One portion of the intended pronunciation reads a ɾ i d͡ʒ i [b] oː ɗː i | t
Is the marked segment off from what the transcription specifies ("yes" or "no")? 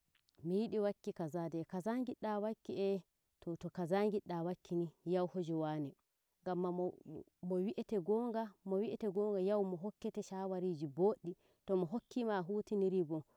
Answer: no